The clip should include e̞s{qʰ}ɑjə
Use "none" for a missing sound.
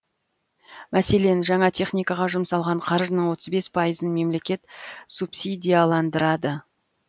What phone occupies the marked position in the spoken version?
pʰ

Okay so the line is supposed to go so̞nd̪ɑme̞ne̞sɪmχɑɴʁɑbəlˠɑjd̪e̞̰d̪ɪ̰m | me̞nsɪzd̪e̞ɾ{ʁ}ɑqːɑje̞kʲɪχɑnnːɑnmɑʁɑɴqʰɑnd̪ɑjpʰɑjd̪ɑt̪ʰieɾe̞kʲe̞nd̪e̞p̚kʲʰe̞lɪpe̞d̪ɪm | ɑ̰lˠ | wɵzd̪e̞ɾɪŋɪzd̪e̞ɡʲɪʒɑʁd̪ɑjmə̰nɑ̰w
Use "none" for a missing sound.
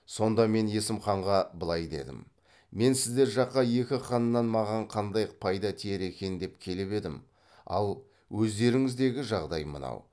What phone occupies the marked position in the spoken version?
ʒ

